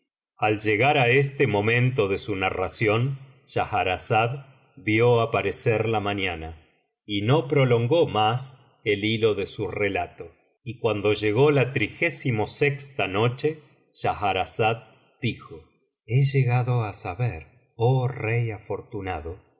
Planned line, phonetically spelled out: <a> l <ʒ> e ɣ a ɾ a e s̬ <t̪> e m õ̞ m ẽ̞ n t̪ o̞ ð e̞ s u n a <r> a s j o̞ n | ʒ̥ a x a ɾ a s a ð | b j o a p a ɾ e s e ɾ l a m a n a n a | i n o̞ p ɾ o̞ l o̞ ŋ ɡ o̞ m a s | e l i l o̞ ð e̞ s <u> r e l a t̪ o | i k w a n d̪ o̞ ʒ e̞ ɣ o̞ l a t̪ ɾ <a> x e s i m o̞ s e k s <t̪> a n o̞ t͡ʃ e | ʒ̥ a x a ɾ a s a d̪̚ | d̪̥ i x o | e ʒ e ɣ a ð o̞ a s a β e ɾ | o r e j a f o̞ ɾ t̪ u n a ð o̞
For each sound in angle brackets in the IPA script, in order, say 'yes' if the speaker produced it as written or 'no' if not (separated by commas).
yes, yes, yes, yes, yes, no, yes